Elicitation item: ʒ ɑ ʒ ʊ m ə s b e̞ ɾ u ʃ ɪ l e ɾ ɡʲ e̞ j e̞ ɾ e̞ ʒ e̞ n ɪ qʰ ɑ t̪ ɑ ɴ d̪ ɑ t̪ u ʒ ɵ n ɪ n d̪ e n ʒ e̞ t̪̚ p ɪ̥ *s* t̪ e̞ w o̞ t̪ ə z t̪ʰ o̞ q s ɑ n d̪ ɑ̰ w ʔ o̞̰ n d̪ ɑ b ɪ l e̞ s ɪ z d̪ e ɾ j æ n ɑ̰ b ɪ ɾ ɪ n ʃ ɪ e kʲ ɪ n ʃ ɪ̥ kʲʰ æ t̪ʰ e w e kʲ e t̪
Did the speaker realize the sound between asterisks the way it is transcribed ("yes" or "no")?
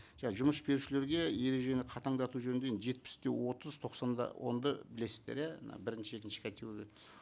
yes